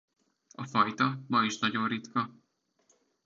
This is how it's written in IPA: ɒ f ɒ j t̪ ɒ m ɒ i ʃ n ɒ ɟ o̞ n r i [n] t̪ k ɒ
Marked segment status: incorrect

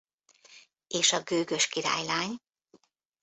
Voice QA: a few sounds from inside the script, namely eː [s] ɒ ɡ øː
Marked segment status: incorrect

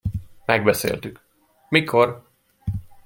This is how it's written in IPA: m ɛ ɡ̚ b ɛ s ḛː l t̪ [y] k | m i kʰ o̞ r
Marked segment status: correct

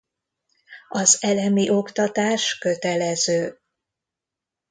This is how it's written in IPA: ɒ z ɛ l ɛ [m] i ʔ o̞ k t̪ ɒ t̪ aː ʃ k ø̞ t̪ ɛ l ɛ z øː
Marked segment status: correct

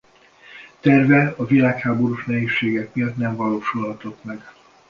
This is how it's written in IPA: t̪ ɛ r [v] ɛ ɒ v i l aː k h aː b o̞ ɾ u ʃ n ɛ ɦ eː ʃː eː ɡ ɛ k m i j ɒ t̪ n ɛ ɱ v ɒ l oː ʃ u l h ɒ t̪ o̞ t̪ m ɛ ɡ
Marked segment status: correct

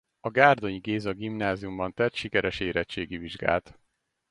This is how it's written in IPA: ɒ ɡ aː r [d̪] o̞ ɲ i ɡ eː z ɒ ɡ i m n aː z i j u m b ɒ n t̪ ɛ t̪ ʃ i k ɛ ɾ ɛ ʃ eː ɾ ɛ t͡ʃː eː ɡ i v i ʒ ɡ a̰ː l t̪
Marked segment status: correct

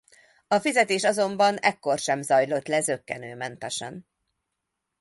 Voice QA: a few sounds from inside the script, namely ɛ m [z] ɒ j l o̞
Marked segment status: correct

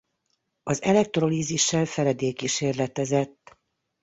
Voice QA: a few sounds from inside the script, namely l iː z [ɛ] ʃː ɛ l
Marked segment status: incorrect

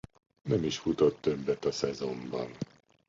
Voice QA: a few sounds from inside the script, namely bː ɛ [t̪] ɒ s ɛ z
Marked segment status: correct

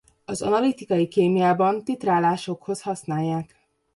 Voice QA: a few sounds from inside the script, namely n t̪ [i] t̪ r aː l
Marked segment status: correct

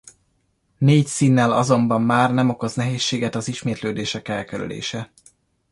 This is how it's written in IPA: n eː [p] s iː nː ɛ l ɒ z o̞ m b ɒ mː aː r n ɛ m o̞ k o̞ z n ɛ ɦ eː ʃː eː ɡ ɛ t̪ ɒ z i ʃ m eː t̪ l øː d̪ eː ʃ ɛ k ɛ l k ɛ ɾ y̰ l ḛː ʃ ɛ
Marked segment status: incorrect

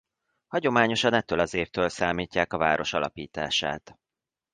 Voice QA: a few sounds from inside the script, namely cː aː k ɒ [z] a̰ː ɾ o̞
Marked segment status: incorrect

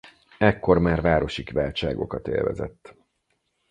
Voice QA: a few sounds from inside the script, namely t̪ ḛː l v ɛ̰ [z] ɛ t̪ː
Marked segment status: correct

